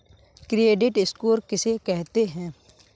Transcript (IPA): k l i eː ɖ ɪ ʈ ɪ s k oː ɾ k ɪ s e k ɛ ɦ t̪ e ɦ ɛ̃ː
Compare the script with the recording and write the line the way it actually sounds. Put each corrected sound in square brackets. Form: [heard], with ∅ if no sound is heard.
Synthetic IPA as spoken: k [ɾ] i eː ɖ ɪ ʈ ɪ s k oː ɾ k ɪ s e k ɛ ɦ t̪ e ɦ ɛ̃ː